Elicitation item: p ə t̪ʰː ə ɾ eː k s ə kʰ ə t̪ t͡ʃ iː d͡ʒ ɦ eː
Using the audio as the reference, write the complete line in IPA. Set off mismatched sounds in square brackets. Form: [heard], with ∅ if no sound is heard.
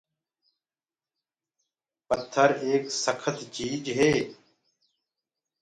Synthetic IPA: p ə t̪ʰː ə ɾ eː k s ə kʰ ə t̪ t͡ʃ iː d͡ʒ ɦ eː